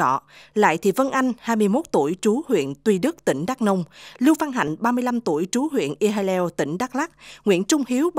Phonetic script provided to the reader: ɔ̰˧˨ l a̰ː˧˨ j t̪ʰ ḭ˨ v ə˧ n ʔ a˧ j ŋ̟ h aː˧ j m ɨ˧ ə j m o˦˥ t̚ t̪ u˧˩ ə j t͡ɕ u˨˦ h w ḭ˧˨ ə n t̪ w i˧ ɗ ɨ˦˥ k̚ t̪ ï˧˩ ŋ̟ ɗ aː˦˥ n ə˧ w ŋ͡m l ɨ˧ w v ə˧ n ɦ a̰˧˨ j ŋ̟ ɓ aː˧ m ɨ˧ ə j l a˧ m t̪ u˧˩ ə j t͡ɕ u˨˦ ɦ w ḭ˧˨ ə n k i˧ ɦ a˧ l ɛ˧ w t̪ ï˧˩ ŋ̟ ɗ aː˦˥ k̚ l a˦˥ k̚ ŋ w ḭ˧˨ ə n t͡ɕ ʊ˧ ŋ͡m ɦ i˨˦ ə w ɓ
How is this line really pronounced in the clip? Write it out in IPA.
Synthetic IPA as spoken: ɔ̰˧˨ l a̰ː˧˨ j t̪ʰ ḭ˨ v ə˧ n ʔ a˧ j ŋ̟ h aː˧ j m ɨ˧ ə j m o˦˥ t̚ t̪ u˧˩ ə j t͡ɕ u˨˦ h w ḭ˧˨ ə n t̪ w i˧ ɗ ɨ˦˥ k̚ t̪ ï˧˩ ŋ̟ ɗ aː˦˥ n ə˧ w ŋ͡m l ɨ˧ w v a˧ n ɦ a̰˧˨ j ŋ̟ ɓ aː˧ m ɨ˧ ə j l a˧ m t̪ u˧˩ ə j t͡ɕ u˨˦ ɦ w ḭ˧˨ ə n ʔ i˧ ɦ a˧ l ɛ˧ w t̪ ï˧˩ ŋ̟ ɗ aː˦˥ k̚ l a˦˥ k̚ ŋ w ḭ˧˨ ə n t͡ɕ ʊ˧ ŋ͡m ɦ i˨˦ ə w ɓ

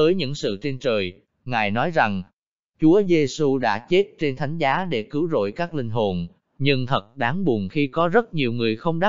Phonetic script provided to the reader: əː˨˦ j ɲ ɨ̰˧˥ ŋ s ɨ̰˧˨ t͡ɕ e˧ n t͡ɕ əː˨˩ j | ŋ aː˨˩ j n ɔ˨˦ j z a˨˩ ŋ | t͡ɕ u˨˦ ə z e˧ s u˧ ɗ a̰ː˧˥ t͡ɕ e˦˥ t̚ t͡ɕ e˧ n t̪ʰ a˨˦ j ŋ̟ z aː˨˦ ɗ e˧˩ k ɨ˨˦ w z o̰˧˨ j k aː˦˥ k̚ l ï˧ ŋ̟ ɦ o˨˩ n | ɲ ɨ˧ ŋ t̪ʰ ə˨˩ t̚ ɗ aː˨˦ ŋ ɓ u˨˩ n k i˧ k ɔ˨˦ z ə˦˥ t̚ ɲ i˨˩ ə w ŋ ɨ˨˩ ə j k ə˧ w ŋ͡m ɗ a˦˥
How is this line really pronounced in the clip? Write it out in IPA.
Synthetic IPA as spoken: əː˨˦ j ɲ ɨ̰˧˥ ŋ s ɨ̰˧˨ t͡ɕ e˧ n t͡ɕ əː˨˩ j | ŋ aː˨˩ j n ɔ˨˦ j z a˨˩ ŋ | t͡ɕ u˨˦ ə z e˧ s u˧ ɗ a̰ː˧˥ t͡ɕ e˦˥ t̚ t͡ɕ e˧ n t̪ʰ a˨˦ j ŋ̟ z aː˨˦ ɗ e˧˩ k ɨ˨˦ w z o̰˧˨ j k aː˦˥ k̚ l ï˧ ŋ̟ ɦ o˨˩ n | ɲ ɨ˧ ŋ t̪ʰ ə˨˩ t̚ ɗ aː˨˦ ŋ ɓ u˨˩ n x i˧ k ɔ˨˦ z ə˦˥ t̚ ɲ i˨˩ ə w ŋ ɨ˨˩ ə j x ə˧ w ŋ͡m ɗ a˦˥

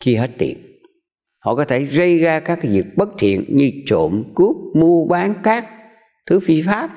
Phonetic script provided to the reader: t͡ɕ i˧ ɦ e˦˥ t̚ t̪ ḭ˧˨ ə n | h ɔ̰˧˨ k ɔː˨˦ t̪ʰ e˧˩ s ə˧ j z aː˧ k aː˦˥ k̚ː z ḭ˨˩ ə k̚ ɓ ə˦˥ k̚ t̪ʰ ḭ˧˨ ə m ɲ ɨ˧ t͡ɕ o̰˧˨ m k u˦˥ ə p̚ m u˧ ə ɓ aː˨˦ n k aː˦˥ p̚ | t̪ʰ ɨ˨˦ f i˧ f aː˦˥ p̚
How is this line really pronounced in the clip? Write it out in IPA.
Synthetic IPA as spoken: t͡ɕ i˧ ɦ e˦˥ t̚ t̪ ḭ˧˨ ə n | h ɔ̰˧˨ k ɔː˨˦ t̪ʰ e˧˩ z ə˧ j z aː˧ k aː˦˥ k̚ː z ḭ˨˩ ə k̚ ɓ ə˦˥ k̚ t̪ʰ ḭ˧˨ ə n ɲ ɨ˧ t͡ɕ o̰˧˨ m k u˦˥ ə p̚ m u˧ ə ɓ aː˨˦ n k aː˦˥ k̚ | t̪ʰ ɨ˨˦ f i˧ f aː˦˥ p̚

